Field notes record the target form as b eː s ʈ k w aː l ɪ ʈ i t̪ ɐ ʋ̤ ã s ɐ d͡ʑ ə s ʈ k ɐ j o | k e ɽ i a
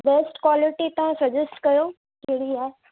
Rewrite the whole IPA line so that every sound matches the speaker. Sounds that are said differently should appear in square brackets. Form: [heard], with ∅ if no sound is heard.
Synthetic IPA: b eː s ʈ k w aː l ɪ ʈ i t̪ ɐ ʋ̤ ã s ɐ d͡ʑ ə s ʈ k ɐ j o | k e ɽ i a

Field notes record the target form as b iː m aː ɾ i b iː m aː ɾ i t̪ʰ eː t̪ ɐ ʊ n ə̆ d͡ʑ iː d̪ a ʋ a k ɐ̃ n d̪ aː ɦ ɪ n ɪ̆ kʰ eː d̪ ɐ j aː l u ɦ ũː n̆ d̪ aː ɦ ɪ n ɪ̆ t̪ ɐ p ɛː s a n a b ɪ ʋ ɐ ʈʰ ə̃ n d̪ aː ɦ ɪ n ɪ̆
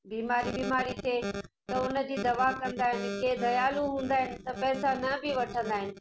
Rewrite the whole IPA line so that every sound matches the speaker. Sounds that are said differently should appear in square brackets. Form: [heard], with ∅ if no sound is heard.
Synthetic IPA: b iː m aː ɾ i b iː m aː ɾ i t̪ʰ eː t̪ ɐ ʊ n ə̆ d͡ʑ iː d̪ [ɐ] ʋ a k ɐ̃ n d̪ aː ɦ ɪ n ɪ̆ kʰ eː d̪ ɐ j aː l u ɦ ũː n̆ d̪ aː ɦ ɪ n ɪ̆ t̪ ɐ p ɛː s a n [ɐ] b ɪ ʋ ɐ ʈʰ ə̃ n d̪ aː ɦ ɪ n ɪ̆

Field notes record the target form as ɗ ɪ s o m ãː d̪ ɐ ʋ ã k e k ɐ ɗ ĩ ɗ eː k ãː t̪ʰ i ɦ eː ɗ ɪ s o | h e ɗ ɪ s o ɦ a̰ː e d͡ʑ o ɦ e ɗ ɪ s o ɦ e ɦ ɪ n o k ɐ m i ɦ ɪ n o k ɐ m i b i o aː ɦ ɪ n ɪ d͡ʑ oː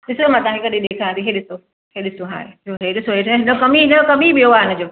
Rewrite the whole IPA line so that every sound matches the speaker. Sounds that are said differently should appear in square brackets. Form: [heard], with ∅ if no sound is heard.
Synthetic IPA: ɗ ɪ s o m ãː [t̪] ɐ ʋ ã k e k ɐ ɗ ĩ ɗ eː [kʰ] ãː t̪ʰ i ɦ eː ɗ ɪ s o | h e ɗ ɪ s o ɦ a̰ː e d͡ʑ o ɦ e ɗ ɪ s o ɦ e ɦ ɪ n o k ɐ m i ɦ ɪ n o k ɐ m i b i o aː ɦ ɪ n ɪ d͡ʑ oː

